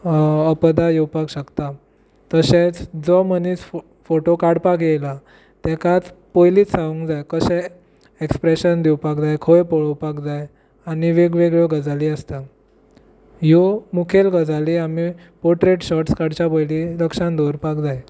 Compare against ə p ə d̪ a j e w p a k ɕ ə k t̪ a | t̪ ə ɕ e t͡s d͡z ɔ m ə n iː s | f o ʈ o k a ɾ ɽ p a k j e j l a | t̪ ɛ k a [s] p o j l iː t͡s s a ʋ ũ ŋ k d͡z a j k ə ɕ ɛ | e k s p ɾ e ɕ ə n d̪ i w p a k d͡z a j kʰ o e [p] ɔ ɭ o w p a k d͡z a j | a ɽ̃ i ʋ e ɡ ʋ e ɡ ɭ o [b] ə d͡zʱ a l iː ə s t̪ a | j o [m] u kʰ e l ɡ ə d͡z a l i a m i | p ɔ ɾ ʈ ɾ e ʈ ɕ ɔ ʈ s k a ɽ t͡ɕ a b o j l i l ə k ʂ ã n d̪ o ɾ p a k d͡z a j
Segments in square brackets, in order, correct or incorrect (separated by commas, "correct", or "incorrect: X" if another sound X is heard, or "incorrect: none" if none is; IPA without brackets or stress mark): incorrect: t͡s, correct, incorrect: ɡ, correct